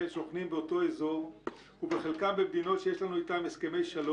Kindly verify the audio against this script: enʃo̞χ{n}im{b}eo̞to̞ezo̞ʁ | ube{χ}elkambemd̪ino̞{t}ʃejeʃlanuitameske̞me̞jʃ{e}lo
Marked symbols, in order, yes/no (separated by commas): yes, yes, yes, yes, no